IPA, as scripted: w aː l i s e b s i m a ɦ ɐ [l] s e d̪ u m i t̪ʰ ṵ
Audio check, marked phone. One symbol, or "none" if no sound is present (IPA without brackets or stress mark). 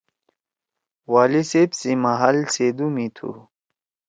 l